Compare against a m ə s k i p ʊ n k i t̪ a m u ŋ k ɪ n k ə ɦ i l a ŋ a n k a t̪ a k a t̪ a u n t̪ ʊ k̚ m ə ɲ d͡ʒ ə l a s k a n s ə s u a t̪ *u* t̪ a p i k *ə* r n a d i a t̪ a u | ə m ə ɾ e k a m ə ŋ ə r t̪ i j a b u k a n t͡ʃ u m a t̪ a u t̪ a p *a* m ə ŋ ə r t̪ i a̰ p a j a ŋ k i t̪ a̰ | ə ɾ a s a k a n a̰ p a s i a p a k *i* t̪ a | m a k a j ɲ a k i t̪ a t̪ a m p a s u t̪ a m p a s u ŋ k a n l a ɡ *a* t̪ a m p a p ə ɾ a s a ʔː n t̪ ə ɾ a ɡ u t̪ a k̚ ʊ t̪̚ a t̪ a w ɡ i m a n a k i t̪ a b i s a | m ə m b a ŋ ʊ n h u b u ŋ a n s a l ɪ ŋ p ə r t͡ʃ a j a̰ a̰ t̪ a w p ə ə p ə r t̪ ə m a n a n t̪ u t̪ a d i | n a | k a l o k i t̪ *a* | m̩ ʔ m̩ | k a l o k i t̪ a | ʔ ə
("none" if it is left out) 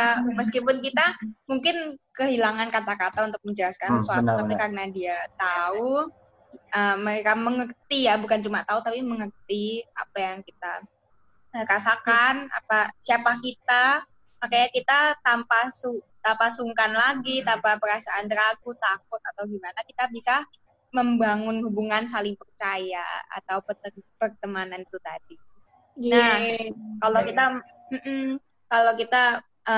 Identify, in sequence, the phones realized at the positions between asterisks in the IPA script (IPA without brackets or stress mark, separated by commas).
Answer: u, a, i, i, i, a